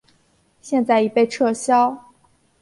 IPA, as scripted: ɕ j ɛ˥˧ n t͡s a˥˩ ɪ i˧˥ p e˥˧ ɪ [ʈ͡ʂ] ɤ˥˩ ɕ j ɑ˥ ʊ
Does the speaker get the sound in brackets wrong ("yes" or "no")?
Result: yes